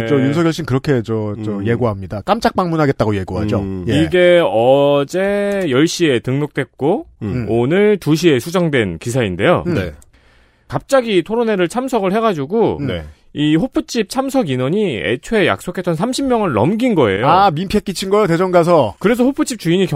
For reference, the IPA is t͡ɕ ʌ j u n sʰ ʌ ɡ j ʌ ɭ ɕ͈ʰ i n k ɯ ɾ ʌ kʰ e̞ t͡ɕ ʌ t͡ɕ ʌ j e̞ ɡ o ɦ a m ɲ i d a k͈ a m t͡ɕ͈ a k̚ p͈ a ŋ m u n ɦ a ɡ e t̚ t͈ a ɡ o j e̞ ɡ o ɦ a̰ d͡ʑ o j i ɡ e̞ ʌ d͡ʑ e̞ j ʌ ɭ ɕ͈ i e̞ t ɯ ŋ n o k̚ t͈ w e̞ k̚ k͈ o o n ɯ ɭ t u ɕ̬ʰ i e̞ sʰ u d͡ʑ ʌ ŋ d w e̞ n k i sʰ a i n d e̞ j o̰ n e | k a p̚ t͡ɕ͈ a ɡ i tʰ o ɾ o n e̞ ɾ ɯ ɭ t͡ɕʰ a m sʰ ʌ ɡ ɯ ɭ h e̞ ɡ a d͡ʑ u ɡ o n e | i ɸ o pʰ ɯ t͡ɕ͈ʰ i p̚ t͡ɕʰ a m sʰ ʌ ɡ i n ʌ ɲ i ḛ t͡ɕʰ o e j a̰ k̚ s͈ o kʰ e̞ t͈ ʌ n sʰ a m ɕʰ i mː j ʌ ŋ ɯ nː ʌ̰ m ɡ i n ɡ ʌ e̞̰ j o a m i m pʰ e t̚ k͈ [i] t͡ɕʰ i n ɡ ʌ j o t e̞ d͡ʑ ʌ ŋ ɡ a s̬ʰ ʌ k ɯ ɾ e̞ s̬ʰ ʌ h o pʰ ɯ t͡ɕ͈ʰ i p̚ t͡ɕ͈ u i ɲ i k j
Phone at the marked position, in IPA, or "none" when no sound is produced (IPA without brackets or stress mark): i